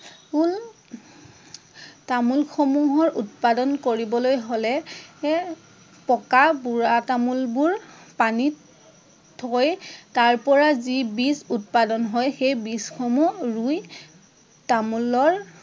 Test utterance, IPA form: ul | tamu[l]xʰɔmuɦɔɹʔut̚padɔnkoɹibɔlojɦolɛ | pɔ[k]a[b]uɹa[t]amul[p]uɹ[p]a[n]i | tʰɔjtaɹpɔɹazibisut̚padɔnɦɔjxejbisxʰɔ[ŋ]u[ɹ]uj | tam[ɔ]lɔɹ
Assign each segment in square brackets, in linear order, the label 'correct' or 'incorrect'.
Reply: correct, correct, correct, correct, incorrect, correct, correct, incorrect, correct, incorrect

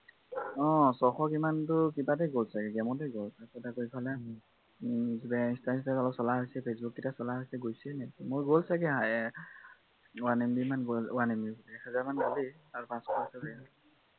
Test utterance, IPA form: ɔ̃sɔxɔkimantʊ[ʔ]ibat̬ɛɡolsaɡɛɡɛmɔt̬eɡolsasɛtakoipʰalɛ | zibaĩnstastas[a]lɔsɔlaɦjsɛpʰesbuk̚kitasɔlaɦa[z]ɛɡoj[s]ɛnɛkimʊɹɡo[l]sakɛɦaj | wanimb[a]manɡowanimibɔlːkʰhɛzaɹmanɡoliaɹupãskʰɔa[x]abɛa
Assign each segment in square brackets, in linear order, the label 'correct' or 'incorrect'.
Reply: incorrect, correct, incorrect, correct, correct, incorrect, incorrect

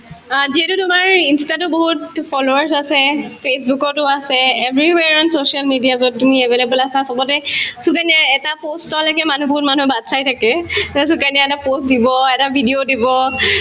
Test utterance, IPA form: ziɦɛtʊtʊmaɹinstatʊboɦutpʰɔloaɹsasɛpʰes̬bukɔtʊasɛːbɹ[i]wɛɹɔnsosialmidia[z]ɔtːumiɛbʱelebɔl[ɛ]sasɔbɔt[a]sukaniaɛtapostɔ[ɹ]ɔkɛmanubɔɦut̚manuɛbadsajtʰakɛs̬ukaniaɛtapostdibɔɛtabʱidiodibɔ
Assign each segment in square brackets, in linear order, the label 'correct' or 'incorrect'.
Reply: correct, correct, incorrect, incorrect, incorrect

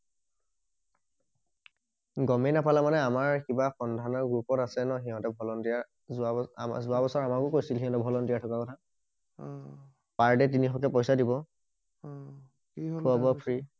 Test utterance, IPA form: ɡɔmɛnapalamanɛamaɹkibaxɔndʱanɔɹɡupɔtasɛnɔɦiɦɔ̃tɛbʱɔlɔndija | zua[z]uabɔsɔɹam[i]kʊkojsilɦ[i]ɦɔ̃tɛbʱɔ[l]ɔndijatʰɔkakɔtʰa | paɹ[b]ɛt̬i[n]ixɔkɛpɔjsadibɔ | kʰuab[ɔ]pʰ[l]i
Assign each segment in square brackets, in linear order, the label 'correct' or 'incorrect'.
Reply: correct, incorrect, correct, correct, incorrect, correct, correct, incorrect

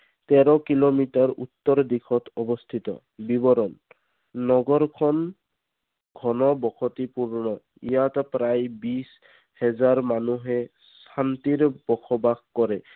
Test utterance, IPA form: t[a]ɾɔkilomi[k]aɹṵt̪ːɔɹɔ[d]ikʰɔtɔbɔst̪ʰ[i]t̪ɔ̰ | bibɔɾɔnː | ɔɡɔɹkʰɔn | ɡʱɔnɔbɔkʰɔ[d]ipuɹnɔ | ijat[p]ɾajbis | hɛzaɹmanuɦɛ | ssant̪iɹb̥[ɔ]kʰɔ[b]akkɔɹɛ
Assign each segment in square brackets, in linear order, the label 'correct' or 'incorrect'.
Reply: incorrect, incorrect, correct, correct, incorrect, correct, correct, correct

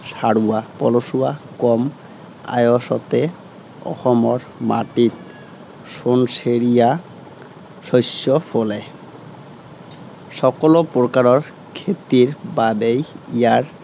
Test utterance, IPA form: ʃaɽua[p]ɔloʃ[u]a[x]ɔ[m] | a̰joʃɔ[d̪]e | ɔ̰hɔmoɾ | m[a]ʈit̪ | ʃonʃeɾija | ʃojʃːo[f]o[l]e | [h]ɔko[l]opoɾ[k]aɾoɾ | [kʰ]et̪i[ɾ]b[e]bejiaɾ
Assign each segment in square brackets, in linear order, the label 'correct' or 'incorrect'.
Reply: correct, correct, incorrect, correct, incorrect, correct, correct, correct, incorrect, correct, correct, correct, correct, incorrect

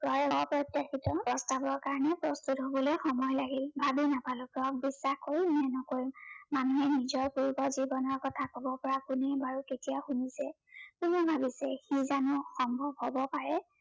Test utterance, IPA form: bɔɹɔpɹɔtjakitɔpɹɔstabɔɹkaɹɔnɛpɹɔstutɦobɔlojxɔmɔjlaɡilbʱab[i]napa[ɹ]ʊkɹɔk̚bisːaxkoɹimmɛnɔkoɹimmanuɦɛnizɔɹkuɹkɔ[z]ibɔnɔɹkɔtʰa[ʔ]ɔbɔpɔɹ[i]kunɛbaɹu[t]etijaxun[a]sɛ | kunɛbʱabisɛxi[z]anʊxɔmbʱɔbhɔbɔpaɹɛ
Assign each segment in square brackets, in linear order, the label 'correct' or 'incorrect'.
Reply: correct, incorrect, correct, incorrect, incorrect, incorrect, incorrect, correct

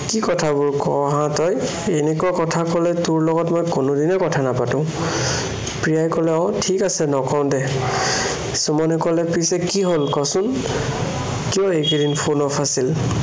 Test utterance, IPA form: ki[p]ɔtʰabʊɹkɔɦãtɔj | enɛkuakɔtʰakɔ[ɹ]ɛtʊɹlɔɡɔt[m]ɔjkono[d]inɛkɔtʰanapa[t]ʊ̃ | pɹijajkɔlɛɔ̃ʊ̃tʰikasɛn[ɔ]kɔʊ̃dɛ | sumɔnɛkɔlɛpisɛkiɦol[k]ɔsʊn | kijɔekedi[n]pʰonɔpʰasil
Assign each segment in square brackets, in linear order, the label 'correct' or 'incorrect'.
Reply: incorrect, incorrect, correct, correct, correct, correct, correct, correct

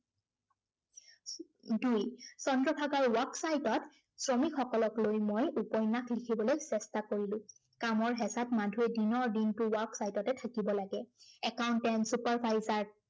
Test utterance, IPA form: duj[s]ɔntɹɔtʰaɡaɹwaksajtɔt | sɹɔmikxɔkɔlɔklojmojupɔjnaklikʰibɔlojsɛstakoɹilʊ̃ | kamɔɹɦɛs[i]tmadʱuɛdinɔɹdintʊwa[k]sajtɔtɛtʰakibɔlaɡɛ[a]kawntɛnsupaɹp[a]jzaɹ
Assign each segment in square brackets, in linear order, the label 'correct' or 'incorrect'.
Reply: correct, incorrect, correct, incorrect, correct

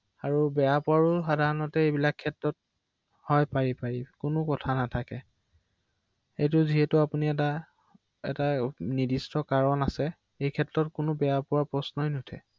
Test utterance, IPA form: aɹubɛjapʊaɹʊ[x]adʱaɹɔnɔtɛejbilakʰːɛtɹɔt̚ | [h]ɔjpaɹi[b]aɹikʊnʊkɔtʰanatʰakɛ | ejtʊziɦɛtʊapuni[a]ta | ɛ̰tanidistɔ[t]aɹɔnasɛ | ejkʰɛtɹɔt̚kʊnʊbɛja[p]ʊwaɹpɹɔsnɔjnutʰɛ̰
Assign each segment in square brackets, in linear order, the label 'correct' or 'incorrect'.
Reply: correct, correct, incorrect, incorrect, incorrect, correct

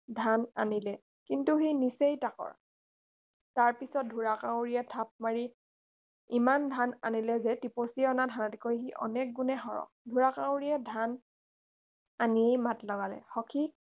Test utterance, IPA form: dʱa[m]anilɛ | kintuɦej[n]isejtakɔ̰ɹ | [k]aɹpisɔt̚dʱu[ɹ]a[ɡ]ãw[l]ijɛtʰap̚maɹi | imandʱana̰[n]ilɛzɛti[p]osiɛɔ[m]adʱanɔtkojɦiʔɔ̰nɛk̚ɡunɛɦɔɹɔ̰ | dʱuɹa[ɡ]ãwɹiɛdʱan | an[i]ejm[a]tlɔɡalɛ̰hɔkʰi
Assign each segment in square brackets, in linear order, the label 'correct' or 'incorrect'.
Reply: incorrect, correct, incorrect, correct, incorrect, incorrect, correct, correct, incorrect, incorrect, correct, correct

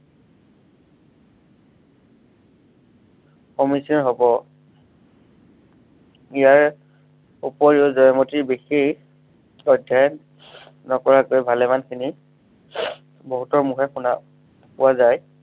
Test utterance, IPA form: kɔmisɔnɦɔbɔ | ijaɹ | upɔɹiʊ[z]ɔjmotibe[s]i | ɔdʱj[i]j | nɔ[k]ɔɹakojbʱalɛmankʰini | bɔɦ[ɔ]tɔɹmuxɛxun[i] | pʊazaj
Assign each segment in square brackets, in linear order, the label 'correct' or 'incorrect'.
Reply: correct, incorrect, incorrect, correct, incorrect, incorrect

